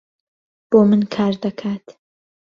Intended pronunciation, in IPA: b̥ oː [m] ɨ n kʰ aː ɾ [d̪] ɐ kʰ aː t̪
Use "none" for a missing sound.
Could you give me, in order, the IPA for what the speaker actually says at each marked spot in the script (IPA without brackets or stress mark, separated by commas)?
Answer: m, d̪